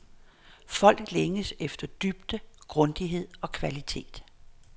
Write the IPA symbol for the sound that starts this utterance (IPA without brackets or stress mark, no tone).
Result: f